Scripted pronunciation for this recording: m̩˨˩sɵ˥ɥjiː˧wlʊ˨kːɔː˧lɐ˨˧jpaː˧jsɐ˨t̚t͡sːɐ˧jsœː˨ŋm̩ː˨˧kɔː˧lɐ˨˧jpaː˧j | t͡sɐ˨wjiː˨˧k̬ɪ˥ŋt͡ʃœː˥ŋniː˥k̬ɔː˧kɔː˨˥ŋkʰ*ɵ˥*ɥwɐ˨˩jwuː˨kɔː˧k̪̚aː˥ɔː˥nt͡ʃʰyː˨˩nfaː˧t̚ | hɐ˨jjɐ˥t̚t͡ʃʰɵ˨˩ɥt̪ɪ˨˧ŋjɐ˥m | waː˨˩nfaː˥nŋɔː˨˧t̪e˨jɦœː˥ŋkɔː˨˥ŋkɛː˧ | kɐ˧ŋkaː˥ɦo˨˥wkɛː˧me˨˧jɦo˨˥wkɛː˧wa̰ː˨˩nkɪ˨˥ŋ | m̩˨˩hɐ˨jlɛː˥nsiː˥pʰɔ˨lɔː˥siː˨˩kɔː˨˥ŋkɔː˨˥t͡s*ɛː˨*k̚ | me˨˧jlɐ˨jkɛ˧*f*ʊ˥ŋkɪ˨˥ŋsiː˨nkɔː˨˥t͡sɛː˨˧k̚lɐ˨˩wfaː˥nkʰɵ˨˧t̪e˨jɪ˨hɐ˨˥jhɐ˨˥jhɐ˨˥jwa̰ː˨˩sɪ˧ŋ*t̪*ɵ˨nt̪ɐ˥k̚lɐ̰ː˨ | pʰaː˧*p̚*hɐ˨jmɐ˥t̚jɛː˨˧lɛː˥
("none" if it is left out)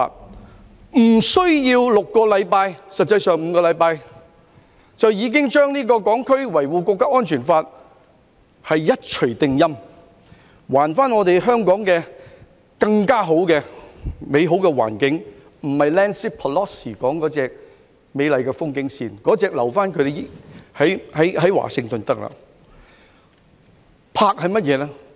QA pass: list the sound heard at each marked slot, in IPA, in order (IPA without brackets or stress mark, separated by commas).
ɵ˥, ɛː˨, f, t̪, k̚